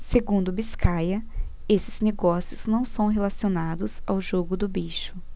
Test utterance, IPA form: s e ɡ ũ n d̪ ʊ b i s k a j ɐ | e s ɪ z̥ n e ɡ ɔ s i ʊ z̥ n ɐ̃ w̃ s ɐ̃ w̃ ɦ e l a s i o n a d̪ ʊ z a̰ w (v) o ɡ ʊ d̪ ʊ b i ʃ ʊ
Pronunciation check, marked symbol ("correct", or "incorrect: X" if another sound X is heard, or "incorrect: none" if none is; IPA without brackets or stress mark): incorrect: ʒ